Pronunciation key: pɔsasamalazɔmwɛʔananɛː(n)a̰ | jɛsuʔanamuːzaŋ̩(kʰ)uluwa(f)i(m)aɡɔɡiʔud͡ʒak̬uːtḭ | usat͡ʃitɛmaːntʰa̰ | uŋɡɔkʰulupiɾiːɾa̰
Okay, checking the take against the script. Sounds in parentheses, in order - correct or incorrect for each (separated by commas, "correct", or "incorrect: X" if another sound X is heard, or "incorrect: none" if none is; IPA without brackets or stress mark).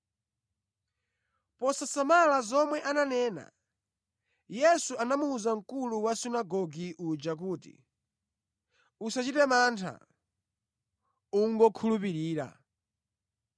correct, incorrect: k, incorrect: s, incorrect: n